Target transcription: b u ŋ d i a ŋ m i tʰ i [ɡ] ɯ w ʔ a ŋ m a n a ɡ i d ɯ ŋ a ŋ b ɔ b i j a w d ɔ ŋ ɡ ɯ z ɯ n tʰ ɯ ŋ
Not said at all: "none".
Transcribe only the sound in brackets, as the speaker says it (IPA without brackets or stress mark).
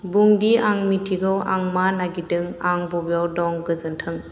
ɡ